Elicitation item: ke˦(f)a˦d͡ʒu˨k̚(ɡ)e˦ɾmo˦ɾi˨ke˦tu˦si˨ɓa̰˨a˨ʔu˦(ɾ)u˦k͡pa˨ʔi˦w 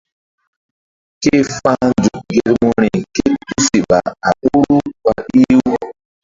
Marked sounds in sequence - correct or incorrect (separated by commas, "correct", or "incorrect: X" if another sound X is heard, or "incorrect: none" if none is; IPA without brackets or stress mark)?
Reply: correct, correct, correct